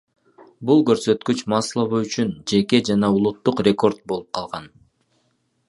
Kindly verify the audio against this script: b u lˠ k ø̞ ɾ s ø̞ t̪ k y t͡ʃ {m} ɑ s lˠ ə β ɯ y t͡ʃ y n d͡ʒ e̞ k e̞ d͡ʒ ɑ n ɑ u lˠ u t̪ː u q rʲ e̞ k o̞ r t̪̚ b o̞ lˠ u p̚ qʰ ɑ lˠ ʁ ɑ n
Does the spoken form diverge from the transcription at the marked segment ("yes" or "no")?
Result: no